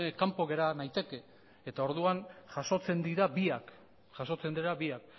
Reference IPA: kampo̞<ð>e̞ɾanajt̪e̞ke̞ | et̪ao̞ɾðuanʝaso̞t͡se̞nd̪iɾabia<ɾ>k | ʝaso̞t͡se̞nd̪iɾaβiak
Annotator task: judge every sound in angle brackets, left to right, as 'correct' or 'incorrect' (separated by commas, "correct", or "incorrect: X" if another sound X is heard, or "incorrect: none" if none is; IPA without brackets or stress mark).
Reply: incorrect: ɣ, incorrect: none